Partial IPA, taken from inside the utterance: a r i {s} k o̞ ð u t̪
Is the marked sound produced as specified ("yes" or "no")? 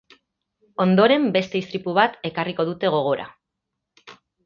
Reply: no